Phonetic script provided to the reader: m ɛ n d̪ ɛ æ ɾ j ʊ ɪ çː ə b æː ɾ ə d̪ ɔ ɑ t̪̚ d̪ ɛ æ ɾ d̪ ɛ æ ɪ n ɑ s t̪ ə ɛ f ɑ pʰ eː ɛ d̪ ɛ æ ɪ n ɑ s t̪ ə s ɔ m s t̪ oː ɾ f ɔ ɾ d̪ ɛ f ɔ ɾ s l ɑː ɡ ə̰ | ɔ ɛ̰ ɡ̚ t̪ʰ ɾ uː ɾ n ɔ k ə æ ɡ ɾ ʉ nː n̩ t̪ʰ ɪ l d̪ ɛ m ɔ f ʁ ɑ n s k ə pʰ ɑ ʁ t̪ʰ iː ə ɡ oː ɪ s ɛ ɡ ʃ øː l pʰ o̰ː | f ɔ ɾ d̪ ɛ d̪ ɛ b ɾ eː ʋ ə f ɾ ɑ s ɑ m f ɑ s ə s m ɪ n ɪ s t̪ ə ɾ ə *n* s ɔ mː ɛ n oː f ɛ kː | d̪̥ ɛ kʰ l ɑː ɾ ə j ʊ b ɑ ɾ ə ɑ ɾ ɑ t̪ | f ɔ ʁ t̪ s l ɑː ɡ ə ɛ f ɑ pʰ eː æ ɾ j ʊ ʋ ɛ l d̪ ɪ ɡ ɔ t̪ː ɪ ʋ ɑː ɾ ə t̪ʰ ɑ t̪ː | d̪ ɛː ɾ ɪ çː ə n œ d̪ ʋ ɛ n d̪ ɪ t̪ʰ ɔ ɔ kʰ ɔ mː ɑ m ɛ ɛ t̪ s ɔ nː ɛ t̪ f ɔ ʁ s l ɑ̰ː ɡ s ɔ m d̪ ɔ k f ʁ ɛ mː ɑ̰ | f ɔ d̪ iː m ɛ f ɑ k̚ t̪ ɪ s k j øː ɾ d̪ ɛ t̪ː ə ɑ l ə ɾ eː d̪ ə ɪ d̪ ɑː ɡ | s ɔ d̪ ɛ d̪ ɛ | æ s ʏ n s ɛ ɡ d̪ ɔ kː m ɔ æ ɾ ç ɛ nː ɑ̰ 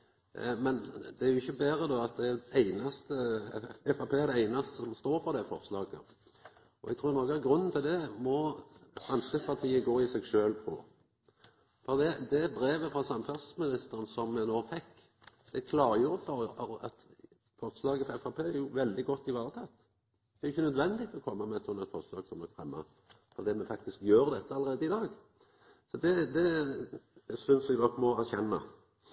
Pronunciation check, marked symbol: correct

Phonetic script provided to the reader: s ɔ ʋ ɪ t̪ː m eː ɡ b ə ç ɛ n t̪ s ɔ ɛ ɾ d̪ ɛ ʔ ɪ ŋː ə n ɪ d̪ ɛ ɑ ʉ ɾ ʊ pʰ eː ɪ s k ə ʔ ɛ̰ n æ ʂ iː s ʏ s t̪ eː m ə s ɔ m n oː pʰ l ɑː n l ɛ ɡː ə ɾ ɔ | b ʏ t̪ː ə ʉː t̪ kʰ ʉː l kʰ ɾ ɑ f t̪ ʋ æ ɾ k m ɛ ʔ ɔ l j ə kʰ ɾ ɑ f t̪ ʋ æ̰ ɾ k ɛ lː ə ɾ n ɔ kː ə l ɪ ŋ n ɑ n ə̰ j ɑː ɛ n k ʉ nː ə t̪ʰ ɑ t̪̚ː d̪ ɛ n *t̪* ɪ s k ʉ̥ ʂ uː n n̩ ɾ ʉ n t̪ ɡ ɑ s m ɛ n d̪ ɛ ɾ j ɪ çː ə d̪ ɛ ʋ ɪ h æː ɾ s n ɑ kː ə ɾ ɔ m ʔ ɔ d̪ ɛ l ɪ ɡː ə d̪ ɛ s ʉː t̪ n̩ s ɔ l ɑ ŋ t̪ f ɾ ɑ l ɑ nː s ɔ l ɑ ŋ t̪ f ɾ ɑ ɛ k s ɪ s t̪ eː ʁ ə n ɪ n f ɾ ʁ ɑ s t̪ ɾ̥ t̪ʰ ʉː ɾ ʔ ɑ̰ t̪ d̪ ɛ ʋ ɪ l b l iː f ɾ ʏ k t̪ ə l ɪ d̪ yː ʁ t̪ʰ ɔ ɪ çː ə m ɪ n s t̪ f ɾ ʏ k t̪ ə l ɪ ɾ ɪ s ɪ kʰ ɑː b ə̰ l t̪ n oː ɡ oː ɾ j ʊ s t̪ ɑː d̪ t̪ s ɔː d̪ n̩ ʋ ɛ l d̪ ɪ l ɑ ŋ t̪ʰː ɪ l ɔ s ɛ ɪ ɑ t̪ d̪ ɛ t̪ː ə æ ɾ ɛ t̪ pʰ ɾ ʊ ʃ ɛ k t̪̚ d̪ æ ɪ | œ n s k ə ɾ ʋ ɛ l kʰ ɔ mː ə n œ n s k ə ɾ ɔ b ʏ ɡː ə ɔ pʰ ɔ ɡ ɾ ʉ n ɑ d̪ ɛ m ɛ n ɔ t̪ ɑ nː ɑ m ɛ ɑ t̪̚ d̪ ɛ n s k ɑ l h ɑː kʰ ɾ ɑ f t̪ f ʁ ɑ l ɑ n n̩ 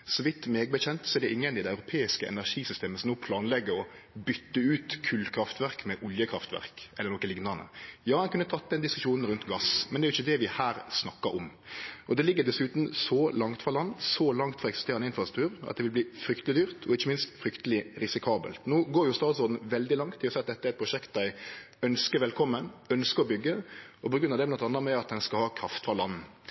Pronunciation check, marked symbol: incorrect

